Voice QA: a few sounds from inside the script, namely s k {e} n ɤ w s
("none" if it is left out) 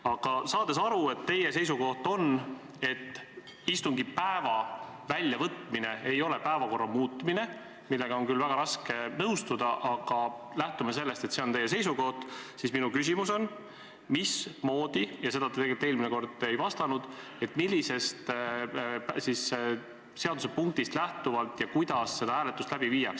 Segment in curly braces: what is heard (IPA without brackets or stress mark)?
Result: e